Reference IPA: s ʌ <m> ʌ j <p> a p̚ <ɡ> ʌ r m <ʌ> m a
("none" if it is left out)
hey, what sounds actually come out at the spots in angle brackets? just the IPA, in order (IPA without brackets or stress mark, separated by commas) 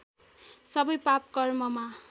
b, p, k, ʌ